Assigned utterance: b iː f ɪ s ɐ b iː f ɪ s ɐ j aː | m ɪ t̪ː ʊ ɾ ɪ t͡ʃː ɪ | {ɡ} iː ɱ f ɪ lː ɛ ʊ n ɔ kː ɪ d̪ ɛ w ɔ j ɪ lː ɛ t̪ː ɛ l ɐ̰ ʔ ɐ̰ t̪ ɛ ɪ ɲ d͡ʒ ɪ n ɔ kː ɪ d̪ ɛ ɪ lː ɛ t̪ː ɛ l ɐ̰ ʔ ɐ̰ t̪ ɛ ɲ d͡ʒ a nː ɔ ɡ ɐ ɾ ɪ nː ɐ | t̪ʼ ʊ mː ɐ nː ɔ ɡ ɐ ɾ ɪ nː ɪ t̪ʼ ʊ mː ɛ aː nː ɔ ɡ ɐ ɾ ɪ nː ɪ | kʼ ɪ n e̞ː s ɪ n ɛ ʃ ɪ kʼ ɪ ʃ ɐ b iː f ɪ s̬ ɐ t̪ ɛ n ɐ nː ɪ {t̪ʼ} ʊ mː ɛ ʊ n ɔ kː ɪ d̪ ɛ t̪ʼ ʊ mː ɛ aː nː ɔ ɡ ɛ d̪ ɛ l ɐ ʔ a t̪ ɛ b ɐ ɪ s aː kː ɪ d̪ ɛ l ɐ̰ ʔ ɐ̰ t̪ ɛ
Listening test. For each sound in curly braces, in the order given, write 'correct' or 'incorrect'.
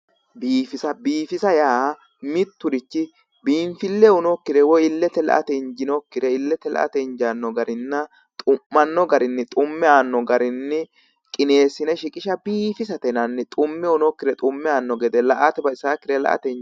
incorrect: b, correct

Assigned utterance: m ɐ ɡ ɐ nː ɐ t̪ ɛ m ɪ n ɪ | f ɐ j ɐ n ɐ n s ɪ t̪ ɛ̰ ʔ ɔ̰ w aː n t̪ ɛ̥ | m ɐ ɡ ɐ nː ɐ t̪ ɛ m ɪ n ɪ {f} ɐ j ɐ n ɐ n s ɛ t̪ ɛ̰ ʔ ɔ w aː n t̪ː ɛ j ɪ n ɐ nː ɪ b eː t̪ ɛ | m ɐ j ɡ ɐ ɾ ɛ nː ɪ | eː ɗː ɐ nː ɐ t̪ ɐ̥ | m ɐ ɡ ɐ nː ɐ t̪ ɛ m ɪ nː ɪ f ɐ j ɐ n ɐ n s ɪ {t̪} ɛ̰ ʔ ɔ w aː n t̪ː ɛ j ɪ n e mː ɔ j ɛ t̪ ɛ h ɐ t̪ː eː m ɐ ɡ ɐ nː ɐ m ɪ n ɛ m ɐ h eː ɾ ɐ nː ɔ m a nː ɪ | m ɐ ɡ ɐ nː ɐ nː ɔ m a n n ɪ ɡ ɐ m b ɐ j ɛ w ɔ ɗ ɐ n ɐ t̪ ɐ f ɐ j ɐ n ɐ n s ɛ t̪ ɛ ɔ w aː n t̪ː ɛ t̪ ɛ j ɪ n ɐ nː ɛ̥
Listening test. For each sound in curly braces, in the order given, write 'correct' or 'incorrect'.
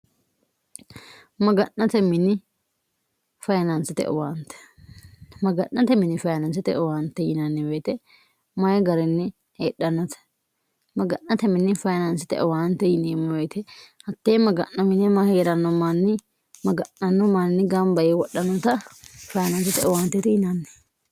correct, correct

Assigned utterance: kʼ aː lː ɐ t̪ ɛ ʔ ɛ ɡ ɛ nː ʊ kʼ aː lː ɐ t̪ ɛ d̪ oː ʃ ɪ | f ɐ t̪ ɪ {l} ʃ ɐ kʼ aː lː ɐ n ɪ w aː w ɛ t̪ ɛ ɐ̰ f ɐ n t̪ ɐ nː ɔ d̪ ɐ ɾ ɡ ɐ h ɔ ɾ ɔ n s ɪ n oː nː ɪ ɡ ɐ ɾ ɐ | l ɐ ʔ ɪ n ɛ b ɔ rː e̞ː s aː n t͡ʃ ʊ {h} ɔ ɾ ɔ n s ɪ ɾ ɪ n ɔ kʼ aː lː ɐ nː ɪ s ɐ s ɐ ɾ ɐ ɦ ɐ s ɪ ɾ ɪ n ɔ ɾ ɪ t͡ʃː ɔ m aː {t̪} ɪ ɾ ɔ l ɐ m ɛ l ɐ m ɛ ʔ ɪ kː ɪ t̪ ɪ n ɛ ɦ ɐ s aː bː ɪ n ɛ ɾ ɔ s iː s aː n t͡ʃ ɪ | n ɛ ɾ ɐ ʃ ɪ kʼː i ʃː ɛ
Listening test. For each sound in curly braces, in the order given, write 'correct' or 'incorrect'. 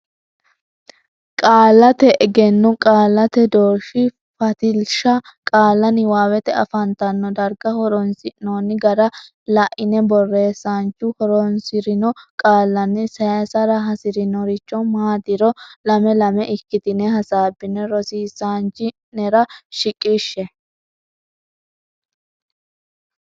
correct, correct, incorrect: d̪

